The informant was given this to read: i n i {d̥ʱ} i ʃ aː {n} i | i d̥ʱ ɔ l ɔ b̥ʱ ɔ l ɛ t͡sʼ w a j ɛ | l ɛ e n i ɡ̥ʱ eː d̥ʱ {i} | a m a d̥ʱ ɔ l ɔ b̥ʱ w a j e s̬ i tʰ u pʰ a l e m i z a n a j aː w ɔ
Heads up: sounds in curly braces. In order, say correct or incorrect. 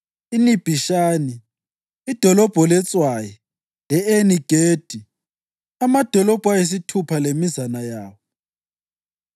incorrect: b̥ʱ, correct, correct

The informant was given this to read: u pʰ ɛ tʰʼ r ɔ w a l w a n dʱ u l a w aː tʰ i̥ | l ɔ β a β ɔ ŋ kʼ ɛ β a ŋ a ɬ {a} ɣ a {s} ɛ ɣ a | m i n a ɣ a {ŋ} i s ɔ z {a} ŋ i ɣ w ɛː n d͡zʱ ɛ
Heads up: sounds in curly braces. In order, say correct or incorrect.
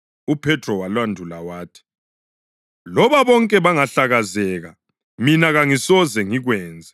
correct, incorrect: z, correct, incorrect: ɛ

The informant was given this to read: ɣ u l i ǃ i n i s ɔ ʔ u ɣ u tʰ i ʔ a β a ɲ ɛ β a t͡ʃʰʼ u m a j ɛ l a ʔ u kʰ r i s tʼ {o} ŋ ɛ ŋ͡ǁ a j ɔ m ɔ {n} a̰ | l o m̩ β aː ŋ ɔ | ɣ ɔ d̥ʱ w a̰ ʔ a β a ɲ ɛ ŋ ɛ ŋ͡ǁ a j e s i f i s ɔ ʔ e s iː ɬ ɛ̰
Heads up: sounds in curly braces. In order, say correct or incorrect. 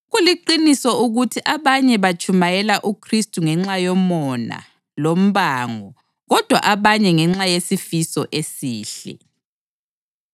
incorrect: u, correct

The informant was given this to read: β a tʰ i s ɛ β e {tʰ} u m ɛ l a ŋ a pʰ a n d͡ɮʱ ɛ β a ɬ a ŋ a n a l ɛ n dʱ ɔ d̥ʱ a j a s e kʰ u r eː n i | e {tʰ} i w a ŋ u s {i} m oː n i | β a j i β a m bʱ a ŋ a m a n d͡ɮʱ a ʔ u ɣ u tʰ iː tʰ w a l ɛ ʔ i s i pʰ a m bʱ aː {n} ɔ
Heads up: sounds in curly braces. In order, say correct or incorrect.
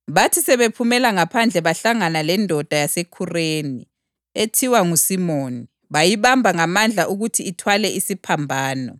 incorrect: pʰ, correct, correct, correct

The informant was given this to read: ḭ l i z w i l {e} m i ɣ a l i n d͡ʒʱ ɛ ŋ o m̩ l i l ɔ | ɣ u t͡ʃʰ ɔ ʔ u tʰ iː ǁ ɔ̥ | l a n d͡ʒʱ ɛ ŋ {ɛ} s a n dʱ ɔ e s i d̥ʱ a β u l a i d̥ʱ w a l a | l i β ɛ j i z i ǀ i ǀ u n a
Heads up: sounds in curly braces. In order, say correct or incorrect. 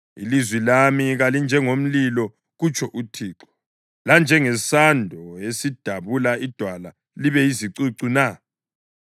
incorrect: a, correct

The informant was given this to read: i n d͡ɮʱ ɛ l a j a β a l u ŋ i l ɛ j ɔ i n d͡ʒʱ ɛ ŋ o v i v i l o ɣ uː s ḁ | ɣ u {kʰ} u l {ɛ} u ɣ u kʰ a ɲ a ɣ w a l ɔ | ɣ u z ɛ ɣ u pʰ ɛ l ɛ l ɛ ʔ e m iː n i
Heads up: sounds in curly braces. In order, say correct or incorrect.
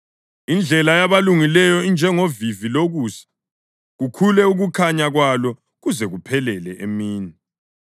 correct, correct

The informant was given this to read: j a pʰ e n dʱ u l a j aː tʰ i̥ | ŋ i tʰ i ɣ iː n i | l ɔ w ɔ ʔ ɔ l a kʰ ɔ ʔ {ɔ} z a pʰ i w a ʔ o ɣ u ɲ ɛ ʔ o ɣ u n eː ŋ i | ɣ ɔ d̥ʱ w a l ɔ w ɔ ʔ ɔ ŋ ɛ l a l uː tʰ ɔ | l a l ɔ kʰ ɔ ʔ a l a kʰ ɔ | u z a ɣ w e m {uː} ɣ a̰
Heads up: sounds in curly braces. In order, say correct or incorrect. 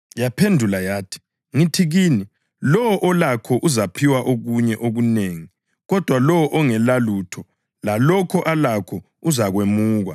incorrect: u, correct

